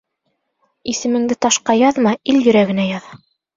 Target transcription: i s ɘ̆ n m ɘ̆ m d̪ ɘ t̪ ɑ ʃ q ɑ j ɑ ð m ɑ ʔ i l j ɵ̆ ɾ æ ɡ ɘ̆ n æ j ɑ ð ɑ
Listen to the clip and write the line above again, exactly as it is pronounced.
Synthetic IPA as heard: i s ɘ̆ m ɘ̆ ŋ d̪ ɘ t̪ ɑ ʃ q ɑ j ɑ ð m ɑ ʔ i l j ɵ̆ ɾ æ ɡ ɘ̆ n æ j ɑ ð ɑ

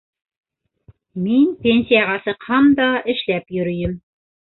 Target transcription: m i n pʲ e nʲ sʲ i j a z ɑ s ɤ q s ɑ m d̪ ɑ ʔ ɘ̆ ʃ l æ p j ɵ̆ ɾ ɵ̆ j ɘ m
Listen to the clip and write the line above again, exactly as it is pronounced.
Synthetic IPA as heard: m i n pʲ e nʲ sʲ i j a ʁ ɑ s ɤ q h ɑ m d̪ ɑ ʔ ɘ̆ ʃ l æ p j ɵ̆ ɾ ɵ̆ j ɘ m

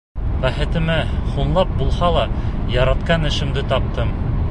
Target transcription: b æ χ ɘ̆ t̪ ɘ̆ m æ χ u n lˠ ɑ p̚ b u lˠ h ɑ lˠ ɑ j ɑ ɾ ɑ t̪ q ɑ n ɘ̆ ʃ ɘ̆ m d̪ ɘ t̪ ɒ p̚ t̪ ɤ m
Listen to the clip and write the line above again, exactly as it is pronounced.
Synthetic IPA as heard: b æ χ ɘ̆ t̪ ɘ̆ m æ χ u n lˠ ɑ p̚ b u lˠ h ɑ lˠ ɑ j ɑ ɾ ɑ t̪ q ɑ n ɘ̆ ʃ ɘ̆ m d̪ ɘ t̪ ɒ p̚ t̪ ɤ m

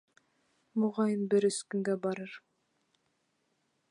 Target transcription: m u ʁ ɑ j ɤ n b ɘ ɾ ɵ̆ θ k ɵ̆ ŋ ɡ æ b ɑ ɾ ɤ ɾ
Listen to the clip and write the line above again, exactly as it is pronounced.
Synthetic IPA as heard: m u ʁ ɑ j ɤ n b ɘ ɾ ɵ̆ s k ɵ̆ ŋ ɡ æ b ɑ ɾ ɤ ɾ

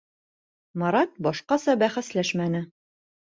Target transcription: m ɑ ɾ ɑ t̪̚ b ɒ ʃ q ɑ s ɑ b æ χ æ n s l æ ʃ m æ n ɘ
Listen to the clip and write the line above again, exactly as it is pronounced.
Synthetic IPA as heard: m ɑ ɾ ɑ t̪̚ b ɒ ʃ q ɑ s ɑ b æ χ æ s l æ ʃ m æ n ɘ

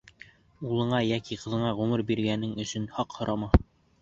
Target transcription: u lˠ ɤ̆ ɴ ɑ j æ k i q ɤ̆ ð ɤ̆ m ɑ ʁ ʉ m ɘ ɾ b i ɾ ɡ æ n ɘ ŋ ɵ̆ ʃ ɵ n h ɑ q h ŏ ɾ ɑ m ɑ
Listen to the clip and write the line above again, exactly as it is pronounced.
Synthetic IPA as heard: u lˠ ɤ̆ ɴ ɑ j æ k i q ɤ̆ ð ɤ̆ ɴ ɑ ʁ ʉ m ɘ ɾ b i ɾ ɡ æ n ɘ ŋ ɵ̆ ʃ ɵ n h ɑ q h ŏ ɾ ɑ m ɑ

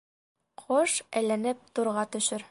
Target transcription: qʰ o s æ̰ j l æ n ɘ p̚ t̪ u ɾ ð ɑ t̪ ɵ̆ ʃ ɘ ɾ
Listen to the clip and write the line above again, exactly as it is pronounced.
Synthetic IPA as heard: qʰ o ʃ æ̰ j l æ n ɘ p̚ t̪ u ɾ ʁ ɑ t̪ ɵ̆ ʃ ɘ ɾ

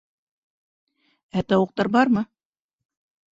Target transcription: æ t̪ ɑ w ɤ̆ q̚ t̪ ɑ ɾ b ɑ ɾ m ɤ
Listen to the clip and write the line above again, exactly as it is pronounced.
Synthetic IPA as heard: æ t̪ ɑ w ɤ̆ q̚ t̪ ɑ ɾ b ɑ ɾ m ɤ

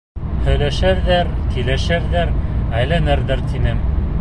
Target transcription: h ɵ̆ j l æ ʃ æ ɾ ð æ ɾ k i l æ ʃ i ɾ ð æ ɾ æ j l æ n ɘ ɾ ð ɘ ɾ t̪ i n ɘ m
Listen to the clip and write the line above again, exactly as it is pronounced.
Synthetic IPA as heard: h ɵ̆ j l æ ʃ æ ɾ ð æ ɾ k i l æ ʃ æ ɾ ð æ ɾ æ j l æ n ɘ ɾ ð ɘ ɾ t̪ i n ɘ m

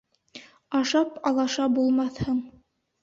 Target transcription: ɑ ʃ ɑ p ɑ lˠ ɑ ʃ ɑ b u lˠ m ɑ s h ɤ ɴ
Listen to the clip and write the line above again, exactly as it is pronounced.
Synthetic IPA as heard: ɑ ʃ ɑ p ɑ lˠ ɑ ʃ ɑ b u lˠ m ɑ θ h ɤ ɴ

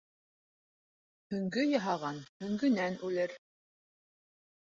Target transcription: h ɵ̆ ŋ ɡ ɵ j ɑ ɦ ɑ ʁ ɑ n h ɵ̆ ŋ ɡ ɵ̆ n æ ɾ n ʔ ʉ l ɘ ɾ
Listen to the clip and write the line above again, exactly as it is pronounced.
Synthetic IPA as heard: h ɵ̆ ŋ ɡ ɵ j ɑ ɦ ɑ ʁ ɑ n h ɵ̆ ŋ ɡ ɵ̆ n æ n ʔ ʉ l ɘ ɾ

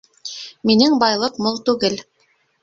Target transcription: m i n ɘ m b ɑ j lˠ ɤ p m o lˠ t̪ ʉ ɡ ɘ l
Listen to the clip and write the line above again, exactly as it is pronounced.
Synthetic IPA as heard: m i n ɘ ŋ b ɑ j lˠ ɤ q m o lˠ t̪ ʉ ɡ ɘ l

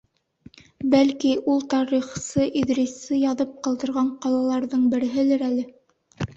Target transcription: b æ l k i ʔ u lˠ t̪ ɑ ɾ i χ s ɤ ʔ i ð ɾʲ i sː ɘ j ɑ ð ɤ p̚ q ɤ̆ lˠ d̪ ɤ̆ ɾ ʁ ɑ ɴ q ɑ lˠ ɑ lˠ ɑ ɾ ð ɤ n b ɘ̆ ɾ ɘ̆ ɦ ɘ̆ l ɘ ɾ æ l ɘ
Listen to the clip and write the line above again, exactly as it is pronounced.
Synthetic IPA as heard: b æ l k i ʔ u lˠ t̪ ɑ ɾ i χ s ɤ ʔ i ð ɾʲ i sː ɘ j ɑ ð ɤ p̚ q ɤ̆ lˠ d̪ ɤ̆ ɾ ʁ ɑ ɴ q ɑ lˠ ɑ lˠ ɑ ɾ ð ɤ ɴ b ɘ̆ ɾ ɘ̆ ɦ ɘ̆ l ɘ ɾ æ l ɘ

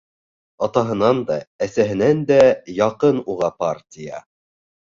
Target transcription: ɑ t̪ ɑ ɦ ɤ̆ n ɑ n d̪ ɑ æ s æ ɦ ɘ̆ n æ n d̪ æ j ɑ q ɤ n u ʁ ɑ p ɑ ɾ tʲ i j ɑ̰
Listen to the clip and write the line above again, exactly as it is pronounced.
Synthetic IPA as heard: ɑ t̪ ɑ ɦ ɤ̆ n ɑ n d̪ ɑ æ s æ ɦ ɘ̆ n æ n d̪ æ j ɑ q ɤ n u ʁ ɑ p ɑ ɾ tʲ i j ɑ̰

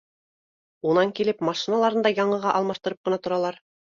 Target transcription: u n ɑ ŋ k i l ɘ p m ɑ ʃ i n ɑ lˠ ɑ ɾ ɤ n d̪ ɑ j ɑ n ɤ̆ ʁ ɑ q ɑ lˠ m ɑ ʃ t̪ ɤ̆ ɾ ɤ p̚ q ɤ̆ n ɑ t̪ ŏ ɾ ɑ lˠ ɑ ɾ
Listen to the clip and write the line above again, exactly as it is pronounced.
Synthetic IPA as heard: u n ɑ ŋ k i l ɘ p m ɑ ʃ i n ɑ lˠ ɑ ɾ ɤ n d̪ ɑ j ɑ ɴ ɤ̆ ʁ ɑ ʔ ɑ lˠ m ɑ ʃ t̪ ɤ̆ ɾ ɤ p̚ q ɤ̆ n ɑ t̪ ŏ ɾ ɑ lˠ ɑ ɾ

